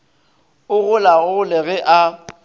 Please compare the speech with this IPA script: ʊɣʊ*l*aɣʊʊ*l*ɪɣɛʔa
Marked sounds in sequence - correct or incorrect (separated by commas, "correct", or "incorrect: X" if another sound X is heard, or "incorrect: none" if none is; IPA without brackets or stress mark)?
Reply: correct, correct